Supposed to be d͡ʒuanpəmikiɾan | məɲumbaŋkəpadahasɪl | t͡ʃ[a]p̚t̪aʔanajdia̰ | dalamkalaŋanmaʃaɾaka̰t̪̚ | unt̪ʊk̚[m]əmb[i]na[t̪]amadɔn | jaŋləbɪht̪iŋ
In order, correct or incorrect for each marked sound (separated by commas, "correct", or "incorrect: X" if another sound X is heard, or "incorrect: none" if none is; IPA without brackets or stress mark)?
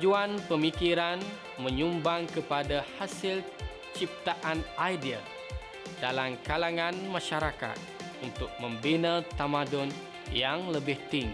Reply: incorrect: i, correct, correct, correct